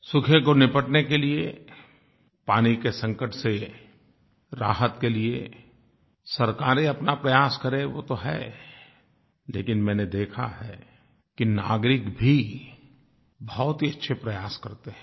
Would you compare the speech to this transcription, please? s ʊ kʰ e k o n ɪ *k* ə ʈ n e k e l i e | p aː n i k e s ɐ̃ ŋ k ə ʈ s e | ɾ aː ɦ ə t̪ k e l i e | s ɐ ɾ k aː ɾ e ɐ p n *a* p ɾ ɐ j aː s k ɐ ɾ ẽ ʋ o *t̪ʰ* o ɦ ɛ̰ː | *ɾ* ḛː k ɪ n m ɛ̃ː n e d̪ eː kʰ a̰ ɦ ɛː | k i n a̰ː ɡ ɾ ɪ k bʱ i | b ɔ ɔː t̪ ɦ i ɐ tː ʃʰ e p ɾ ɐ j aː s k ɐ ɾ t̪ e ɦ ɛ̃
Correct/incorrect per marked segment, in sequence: incorrect: p, correct, incorrect: t̪, incorrect: l

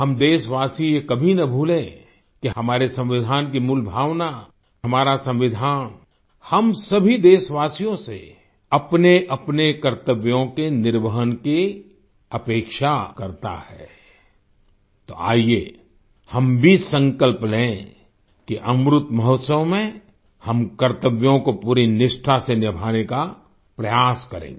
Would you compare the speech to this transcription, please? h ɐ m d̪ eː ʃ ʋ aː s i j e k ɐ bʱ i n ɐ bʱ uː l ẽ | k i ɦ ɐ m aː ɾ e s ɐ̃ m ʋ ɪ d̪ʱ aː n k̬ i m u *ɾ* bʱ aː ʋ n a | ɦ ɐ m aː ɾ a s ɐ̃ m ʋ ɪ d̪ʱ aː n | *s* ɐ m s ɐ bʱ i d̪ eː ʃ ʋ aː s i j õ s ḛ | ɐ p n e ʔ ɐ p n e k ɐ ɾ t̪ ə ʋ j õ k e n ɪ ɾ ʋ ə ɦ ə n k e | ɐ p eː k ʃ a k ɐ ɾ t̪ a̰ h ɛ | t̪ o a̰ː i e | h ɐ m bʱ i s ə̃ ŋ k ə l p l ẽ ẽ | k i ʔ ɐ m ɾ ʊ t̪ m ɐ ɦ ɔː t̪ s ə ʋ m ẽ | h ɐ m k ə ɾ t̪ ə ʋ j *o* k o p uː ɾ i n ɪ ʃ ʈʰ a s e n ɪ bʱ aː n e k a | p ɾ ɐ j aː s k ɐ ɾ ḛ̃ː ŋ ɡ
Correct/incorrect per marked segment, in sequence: incorrect: l, incorrect: h, incorrect: õ

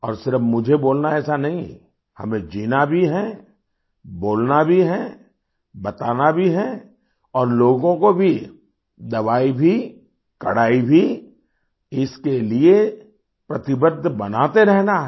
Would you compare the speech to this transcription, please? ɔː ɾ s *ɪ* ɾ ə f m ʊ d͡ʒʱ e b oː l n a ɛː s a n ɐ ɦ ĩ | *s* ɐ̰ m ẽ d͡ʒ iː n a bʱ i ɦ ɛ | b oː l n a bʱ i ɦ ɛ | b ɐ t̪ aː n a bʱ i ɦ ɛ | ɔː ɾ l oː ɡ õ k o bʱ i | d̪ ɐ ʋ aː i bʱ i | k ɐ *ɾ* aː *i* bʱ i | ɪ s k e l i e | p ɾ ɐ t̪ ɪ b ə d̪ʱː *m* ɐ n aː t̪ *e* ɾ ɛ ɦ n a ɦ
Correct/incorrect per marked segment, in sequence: correct, incorrect: h, incorrect: ɽ, correct, incorrect: b, correct

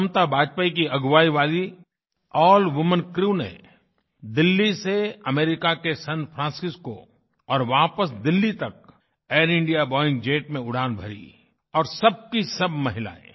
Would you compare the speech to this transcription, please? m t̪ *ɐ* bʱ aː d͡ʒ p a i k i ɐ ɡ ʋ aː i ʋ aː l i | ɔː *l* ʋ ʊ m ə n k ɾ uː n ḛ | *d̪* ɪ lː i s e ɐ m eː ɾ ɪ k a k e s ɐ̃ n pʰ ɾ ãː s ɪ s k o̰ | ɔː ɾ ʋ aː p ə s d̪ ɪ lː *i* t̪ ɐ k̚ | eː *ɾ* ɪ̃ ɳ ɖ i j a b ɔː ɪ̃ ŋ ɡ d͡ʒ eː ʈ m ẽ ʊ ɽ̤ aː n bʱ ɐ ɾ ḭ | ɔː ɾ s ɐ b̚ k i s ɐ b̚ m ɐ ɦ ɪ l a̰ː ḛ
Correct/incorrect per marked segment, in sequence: incorrect: a, correct, correct, correct, correct

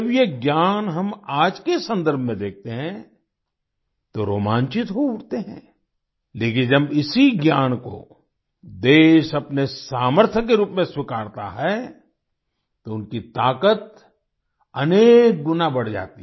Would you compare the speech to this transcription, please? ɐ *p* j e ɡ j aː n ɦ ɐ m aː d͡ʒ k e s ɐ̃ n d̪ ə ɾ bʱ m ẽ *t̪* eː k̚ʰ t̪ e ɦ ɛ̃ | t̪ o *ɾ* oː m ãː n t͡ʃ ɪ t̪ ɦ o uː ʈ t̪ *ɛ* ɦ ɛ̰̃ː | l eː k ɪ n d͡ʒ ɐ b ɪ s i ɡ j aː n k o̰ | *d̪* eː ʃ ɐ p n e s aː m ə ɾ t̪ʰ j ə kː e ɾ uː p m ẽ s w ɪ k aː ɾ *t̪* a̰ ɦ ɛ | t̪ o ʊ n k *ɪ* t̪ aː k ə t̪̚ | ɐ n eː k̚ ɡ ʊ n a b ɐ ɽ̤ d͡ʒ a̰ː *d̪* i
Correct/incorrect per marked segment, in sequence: incorrect: b, incorrect: d̪, correct, incorrect: e, correct, correct, incorrect: i, incorrect: t̪

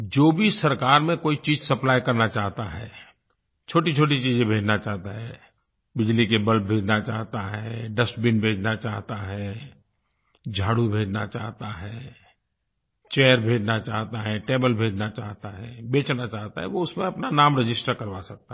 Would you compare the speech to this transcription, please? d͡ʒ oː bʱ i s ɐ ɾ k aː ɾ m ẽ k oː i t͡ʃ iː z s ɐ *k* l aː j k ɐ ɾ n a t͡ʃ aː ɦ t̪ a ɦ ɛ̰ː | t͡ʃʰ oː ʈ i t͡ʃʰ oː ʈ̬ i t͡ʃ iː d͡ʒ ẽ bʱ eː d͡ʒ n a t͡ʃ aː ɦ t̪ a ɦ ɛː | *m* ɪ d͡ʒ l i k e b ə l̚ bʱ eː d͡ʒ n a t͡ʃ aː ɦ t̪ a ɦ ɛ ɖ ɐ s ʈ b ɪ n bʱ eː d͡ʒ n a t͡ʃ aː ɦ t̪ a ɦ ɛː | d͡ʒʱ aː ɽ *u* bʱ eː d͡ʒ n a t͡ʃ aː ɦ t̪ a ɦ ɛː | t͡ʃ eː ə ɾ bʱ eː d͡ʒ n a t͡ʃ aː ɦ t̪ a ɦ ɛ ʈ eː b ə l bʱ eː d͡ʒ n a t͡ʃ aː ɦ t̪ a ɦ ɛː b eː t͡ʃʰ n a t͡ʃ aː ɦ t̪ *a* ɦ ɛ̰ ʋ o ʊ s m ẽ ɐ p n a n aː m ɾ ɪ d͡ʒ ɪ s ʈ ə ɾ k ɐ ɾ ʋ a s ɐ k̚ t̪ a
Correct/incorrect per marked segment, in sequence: incorrect: p, incorrect: b, correct, correct

